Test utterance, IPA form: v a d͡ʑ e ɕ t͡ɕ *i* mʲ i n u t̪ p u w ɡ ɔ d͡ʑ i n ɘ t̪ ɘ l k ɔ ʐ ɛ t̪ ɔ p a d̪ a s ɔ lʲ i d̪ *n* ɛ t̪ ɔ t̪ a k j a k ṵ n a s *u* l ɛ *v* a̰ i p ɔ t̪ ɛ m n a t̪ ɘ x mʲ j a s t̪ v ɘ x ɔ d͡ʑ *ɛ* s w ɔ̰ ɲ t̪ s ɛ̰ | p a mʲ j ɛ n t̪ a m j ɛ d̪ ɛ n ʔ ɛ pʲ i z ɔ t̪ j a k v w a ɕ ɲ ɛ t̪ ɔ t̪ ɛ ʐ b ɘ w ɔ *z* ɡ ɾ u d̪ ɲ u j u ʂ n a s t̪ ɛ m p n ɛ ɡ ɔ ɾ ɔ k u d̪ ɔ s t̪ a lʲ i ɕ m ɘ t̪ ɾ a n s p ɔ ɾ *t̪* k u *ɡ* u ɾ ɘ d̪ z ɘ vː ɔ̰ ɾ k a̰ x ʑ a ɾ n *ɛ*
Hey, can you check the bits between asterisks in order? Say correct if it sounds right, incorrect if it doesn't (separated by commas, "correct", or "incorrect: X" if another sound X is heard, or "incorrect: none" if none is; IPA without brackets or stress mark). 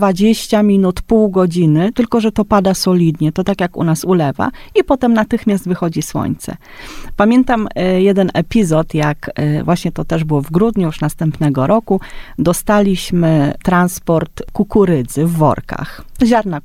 incorrect: a, incorrect: ɲ, correct, correct, incorrect: i, incorrect: v, correct, incorrect: k, incorrect: a